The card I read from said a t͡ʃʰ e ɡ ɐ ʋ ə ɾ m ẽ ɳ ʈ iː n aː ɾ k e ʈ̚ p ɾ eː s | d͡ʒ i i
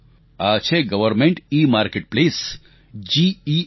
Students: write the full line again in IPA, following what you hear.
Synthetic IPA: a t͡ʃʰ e ɡ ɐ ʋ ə ɾ m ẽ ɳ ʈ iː m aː ɾ k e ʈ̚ p l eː s | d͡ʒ i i

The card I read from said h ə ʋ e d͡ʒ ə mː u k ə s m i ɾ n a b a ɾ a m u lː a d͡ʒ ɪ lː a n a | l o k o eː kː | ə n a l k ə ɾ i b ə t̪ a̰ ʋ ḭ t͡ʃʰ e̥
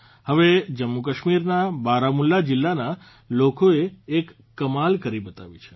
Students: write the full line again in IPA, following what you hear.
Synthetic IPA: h ə ʋ e d͡ʒ ə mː u k ə ʃ m i ɾ n a b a ɾ a m u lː a d͡ʒ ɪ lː a n a | l o k o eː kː | ə m a l k ə ɾ i b ə t̪ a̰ ʋ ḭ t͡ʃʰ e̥

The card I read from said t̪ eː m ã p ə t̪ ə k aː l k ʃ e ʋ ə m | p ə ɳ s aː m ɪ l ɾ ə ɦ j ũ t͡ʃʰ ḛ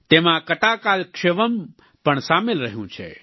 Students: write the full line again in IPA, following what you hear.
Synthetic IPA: t̪ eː m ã k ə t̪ a k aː l k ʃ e ʋ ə m | p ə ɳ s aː m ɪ l ɾ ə ɦ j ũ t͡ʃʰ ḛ

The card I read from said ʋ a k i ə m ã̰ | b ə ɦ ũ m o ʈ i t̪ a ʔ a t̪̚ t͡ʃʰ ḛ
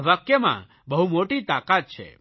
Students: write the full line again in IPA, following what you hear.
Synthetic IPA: ʋ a k j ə m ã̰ | b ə ɦ u m o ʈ i t̪ a k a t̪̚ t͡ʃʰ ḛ

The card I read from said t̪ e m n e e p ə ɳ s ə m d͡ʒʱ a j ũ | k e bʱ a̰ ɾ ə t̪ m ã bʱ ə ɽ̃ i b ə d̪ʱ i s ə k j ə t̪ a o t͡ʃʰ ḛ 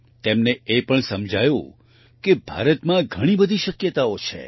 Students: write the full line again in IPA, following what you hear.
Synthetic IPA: t̪ e m n e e p ə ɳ s ə m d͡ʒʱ a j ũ | k e bʱ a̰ ɾ ə t̪ m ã ɡʱ ə ɽ̃ i b ə d̪ʱ i ʃ ə k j ə t̪ a o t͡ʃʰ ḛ

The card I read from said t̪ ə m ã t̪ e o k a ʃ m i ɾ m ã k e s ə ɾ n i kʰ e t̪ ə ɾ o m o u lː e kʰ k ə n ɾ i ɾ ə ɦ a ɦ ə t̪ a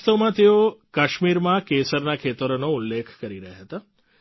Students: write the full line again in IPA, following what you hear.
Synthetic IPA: t̪ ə m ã t̪ e o k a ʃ m i ɾ m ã k e s ə ɾ n a kʰ e t̪ ə ɾ o n o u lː e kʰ k ə ɾ i ɾ ə ɦ a ɦ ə t̪ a

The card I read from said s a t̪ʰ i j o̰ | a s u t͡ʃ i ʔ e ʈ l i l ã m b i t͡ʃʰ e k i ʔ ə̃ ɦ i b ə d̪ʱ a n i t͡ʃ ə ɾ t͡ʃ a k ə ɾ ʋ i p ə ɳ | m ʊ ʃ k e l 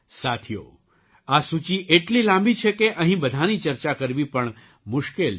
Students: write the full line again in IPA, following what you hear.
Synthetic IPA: s a t̪ʰ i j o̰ | a s u t͡ʃ i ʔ e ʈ l i l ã m b i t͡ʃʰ e k e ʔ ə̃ ɦ ĩ b ə d̪ʱ a n i t͡ʃ ə ɾ t͡ʃ a k ə ɾ ʋ i p ə ɳ | m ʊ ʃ k e l

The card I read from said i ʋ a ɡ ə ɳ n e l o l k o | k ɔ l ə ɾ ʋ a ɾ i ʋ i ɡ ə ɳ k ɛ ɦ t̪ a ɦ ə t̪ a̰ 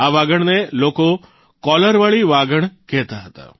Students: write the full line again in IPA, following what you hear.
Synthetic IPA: a ʋ a ɡ ə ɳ n e l o k o | k ɔ l ə ɾ ʋ a ɭ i ʋ a ɡ ə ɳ k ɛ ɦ t̪ a ɦ ə t̪ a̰

